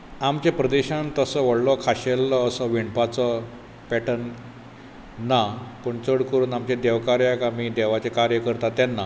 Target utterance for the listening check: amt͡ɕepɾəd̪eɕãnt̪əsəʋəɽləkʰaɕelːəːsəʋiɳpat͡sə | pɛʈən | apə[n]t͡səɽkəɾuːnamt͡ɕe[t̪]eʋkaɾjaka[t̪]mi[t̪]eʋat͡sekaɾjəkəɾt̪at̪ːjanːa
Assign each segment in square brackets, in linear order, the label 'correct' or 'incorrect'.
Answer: incorrect: ɳ, incorrect: d̪, incorrect: none, incorrect: d̪

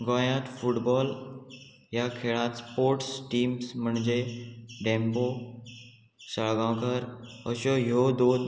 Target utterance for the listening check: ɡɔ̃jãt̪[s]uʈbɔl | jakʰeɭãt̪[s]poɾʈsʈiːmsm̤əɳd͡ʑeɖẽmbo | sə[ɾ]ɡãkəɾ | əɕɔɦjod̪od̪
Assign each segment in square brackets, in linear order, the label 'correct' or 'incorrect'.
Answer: incorrect: f, correct, incorrect: ɭ

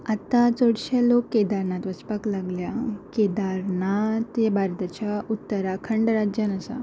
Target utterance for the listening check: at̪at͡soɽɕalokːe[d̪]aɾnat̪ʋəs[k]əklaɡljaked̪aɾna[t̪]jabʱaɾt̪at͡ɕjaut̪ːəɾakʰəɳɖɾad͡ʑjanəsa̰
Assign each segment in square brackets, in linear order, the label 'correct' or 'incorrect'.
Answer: correct, incorrect: p, correct

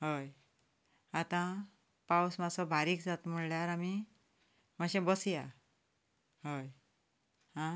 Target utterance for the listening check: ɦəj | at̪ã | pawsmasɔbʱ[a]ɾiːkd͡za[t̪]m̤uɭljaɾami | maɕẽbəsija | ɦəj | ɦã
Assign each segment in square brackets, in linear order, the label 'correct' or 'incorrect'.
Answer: correct, correct

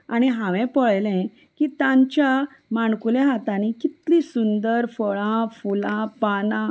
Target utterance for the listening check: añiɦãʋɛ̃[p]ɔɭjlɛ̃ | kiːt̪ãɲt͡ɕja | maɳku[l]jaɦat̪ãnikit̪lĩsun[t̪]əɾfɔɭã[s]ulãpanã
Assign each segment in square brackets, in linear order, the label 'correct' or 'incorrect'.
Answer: correct, correct, incorrect: d̪, incorrect: f

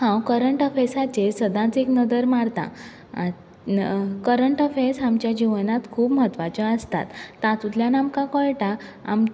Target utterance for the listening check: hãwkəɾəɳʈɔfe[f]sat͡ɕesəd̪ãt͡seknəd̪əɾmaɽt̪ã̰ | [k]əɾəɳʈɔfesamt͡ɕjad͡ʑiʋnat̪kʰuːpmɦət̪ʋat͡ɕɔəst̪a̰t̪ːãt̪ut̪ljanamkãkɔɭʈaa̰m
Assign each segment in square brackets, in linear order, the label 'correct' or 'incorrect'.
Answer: incorrect: none, correct

